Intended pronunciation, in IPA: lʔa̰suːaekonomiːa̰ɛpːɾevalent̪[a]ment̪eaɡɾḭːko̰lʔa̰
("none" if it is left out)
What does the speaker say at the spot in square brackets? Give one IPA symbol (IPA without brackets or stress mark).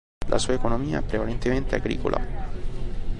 e